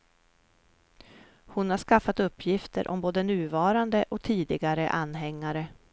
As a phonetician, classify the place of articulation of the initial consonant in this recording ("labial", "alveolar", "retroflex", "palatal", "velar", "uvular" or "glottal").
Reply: glottal